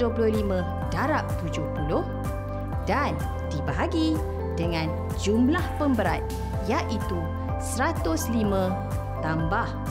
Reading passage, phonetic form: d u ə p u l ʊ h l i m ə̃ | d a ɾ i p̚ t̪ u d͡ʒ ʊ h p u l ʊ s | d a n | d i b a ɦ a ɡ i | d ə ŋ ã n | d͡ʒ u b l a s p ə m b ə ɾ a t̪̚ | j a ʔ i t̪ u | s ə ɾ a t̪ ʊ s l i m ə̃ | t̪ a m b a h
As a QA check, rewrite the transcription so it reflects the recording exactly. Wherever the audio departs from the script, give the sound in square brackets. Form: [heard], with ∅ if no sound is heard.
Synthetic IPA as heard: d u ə p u l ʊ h l i m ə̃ | d a ɾ [a] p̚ t̪ u d͡ʒ ʊ h p u l ʊ [h] | d a n | d i b a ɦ a ɡ i | d ə ŋ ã n | d͡ʒ u [m] l a [h] p ə m b ə ɾ a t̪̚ | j a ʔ i t̪ u | s ə ɾ a t̪ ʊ s l i m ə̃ | t̪ a m b a h